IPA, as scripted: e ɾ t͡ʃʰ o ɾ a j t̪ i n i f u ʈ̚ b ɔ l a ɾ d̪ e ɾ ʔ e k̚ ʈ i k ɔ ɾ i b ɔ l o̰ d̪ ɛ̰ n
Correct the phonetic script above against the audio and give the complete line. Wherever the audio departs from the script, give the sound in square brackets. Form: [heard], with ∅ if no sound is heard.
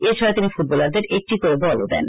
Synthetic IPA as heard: e ɾ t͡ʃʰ [ɔ] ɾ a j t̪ i n i f u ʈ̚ b ɔ l a ɾ d̪ e ɾ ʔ e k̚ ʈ i k [o] ɾ [e] b ɔ l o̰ d̪ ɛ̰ n

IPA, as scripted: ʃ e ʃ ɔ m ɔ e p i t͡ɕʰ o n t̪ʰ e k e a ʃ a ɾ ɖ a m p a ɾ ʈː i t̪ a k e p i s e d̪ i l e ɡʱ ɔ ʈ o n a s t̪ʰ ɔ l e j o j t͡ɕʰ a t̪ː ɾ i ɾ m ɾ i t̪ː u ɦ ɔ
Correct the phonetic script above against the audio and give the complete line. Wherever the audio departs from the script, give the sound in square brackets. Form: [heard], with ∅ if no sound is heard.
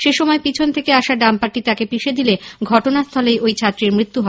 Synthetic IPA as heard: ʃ e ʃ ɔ m ɔ e p i t͡ɕʰ o n t̪ʰ e k e a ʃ a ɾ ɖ a m p a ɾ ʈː i t̪ a k e p i [ʃ] e d̪ i l e ɡʱ ɔ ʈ o n a s t̪ʰ ɔ l e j o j t͡ɕʰ a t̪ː ɾ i ɾ m ɾ i t̪ː u ɦ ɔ

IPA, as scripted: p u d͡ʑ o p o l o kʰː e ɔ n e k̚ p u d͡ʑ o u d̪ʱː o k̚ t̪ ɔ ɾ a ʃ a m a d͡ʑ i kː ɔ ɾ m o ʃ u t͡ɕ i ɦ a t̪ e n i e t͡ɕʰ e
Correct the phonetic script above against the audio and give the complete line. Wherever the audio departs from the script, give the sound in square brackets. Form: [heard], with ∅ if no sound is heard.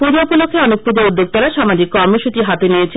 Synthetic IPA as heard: p u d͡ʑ o p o l o kʰː e ɔ n e k̚ p u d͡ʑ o u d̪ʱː o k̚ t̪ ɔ ɾ a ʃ a m a d͡ʑ i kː ɔ ɾ m o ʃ u t͡ɕ i ɦ a t̪ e n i e t͡ɕʰ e

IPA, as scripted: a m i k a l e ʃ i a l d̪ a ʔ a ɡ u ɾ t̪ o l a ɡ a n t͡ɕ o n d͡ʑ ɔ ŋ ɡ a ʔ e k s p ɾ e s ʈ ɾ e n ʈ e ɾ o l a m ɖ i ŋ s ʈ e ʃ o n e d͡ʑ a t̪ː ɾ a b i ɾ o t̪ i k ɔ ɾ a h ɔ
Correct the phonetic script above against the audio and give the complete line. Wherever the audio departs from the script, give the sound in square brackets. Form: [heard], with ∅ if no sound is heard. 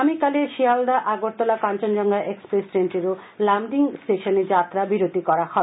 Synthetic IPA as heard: a m i k a l e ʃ i a l d̪ a ʔ a ɡ [o] ɾ t̪ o l a [k] a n t͡ɕ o n d͡ʑ ɔ ŋ ɡ a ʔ e k s p ɾ e s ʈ ɾ e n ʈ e ɾ o l a m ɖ i ŋ s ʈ e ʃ o n e d͡ʑ a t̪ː ɾ a b i ɾ o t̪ i k ɔ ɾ a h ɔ

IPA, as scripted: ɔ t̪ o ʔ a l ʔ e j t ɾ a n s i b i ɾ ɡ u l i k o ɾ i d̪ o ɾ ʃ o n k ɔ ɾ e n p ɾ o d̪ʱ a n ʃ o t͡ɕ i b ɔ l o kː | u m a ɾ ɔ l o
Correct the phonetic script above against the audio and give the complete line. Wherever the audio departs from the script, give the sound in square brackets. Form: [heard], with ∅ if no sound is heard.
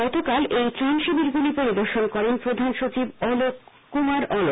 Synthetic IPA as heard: ɔ t̪ o [k] a l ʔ e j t ɾ a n [ʃ] i b i ɾ ɡ u l i [p] o ɾ i d̪ o ɾ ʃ o n k ɔ ɾ e n p ɾ o d̪ʱ a n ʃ o t͡ɕ i b ɔ l o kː | u m a ɾ ɔ l o

